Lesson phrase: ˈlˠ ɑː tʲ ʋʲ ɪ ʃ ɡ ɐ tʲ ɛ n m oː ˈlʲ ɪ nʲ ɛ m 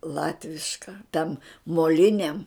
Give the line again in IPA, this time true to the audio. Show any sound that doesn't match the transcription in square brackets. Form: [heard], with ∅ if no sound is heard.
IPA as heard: ˈlˠ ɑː tʲ ʋʲ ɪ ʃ [k] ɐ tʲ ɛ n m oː ˈlʲ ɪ nʲ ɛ m